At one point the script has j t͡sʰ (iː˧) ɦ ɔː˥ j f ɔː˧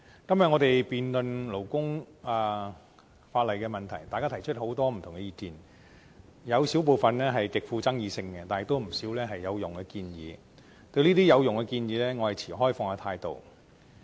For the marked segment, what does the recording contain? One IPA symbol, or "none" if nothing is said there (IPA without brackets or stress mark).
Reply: iː˨˩